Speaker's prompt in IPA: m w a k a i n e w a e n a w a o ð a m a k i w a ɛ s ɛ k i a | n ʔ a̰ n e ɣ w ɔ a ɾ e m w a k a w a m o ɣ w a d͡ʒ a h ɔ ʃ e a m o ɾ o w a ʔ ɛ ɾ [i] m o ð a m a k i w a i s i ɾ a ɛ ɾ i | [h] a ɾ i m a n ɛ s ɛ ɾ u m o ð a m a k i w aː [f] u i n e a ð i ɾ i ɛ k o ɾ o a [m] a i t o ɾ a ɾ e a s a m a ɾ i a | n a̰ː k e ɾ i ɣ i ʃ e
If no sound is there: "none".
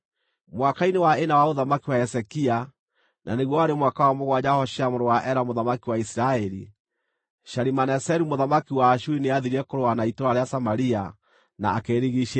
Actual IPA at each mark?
a, ʃ, ʃ, n

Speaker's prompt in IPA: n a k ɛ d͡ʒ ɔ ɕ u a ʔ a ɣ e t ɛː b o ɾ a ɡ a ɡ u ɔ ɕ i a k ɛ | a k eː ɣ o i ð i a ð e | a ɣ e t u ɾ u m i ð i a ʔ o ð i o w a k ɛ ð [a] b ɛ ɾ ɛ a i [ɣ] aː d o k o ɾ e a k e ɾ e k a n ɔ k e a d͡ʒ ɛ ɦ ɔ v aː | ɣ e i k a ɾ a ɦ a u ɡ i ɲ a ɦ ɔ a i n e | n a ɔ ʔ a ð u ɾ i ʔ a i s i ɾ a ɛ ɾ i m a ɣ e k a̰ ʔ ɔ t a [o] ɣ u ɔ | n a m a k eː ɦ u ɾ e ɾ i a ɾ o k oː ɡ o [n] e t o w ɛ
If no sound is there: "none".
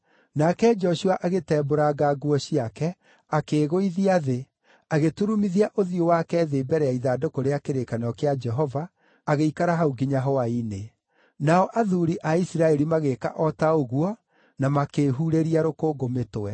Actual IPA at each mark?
e, ð, o, m

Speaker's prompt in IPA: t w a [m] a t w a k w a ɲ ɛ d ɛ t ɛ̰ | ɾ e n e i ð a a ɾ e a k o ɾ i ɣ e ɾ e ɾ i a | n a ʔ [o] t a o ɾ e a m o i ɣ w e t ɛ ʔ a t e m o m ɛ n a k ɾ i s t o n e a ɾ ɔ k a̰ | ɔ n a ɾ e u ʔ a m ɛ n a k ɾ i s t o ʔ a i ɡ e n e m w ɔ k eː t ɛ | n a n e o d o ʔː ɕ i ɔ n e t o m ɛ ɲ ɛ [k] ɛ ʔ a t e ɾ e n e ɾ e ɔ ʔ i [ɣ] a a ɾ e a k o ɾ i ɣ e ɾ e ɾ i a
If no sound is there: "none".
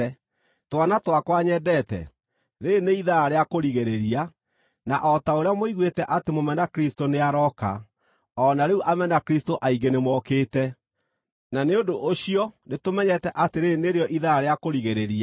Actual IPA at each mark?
n, ɔ, t, ð

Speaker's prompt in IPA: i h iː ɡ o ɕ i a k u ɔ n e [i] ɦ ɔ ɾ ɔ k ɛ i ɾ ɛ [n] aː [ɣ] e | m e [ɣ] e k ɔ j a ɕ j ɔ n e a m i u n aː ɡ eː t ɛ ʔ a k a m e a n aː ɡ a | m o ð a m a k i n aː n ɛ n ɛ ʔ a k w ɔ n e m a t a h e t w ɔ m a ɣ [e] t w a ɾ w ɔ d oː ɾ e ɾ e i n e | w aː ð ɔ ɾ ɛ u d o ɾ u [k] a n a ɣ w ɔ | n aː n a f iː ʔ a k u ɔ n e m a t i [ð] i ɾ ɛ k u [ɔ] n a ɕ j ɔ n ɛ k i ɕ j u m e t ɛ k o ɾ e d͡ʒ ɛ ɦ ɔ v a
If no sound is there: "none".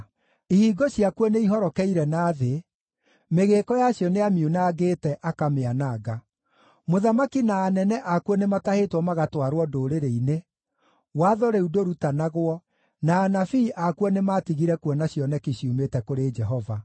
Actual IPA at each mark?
i, n, ð, ɣ, a, t, ɣ, ɔ

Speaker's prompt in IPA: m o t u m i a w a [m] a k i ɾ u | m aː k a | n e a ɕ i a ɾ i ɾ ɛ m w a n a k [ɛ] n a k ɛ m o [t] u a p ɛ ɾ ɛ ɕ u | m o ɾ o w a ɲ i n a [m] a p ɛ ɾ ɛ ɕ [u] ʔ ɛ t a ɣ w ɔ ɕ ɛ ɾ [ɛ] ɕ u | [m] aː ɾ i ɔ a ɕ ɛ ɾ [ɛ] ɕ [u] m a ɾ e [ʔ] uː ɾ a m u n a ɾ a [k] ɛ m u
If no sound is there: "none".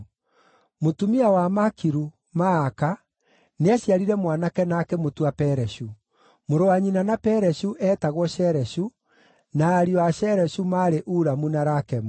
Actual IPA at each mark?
m, ɛ, t, n, u, ɛ, n, ɛ, u, ʔ, k

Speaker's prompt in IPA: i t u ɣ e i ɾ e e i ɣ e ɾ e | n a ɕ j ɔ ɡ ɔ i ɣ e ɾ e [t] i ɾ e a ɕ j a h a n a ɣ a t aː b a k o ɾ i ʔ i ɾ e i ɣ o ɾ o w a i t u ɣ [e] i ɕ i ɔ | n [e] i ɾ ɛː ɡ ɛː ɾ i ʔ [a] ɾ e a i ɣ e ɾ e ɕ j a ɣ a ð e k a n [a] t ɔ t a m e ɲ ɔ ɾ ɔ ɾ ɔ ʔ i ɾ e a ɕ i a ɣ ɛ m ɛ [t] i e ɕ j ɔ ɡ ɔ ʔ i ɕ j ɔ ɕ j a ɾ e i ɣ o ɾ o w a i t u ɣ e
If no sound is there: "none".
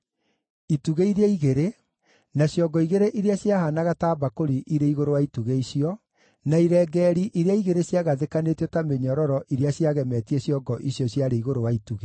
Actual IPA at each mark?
ʔ, e, a, i, e, t

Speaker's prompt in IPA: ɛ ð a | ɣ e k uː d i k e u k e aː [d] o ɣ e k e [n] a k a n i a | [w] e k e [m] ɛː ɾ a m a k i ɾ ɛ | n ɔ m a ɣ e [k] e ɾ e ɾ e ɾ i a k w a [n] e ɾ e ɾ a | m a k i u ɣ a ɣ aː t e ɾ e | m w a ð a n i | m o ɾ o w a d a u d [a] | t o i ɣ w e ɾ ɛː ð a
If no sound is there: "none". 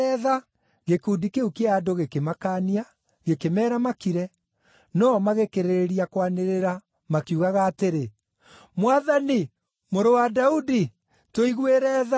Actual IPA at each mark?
d, m, ɣ, m, k, n, i

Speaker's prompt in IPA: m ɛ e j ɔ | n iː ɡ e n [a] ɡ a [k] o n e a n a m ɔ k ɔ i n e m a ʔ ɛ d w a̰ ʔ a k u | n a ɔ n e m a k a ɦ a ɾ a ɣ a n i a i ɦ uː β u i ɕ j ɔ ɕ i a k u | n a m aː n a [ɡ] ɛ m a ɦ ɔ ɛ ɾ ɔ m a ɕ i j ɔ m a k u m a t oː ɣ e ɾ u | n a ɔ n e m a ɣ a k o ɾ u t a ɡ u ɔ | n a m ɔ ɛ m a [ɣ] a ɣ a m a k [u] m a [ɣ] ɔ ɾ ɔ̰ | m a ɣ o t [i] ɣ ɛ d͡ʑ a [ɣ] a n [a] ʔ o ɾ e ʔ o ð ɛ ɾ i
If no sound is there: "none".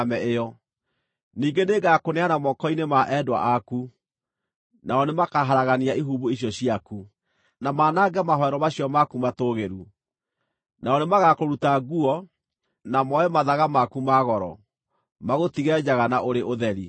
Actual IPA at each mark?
e, k, ɡ, ð, u, ɣ, i, ɣ, a

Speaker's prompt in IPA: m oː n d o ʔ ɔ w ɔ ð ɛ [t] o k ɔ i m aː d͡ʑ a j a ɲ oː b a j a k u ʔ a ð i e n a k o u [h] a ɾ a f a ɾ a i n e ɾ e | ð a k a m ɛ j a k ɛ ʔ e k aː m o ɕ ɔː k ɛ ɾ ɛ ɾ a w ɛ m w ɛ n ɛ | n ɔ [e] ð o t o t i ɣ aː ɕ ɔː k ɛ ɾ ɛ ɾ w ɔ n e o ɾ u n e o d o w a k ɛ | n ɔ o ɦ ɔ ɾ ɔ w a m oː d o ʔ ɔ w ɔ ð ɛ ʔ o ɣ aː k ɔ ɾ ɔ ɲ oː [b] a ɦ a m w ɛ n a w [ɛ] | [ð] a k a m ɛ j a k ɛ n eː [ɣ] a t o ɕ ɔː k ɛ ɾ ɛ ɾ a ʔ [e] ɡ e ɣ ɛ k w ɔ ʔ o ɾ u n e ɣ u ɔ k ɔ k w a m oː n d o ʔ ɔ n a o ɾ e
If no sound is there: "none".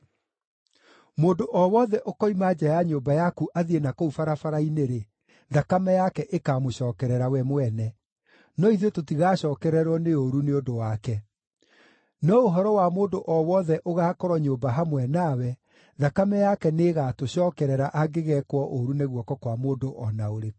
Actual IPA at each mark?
ʔ, f, i, b, ɛ, ð, ɣ, a

